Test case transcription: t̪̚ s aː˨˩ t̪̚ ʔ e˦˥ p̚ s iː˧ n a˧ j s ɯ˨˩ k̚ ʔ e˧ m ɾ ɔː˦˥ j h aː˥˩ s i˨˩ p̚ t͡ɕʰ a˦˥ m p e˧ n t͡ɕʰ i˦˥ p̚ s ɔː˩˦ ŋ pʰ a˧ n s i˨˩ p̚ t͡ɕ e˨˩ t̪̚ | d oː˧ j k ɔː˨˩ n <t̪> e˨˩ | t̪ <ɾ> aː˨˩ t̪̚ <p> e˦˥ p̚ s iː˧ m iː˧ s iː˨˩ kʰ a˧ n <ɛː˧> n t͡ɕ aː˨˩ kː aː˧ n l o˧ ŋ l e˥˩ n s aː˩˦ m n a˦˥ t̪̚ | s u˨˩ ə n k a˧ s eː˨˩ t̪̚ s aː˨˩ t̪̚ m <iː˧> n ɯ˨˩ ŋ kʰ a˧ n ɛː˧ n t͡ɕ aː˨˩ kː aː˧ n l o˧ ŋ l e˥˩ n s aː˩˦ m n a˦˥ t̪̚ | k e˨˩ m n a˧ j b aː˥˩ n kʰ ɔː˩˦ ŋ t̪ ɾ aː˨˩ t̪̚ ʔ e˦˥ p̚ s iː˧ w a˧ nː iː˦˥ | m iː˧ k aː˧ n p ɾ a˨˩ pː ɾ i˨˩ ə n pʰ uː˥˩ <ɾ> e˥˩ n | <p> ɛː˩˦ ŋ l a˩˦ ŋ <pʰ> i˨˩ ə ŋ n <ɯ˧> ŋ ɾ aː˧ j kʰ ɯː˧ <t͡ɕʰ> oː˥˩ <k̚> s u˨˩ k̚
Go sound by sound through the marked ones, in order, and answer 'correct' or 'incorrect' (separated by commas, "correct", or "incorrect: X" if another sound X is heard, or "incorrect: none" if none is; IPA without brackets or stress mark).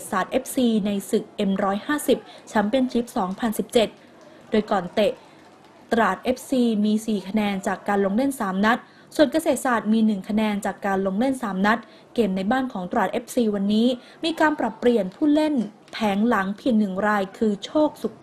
correct, correct, incorrect: ʔ, correct, correct, incorrect: l, incorrect: pʰ, correct, incorrect: ɯ˨˩, correct, correct